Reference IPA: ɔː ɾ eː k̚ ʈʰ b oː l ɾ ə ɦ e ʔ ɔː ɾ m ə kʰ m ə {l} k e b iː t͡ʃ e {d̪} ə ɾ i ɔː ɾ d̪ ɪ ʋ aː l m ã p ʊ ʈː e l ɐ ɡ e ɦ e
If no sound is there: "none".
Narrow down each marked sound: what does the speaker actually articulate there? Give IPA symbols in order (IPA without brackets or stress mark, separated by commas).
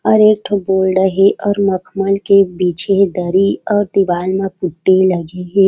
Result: l, d̪